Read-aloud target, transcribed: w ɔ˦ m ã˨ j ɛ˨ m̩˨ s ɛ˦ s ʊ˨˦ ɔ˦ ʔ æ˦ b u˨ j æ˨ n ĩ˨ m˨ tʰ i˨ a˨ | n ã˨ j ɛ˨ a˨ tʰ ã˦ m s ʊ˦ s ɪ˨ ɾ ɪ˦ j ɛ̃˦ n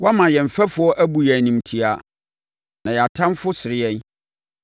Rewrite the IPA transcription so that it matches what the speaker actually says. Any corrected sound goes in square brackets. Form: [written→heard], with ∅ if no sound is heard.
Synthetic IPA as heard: w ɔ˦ m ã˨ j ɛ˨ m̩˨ [s→f] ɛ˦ [s→f] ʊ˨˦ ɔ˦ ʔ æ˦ b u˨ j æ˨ n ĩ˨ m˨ tʰ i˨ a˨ | n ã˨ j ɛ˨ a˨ tʰ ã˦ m [s→f] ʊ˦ s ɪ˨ ɾ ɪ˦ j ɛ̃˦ n